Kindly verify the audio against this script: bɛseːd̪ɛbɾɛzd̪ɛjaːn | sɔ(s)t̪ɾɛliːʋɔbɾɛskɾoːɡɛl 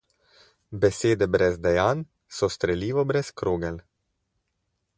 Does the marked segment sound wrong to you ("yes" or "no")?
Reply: no